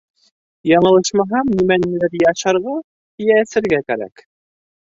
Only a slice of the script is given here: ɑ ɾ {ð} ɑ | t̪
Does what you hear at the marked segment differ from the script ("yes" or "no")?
yes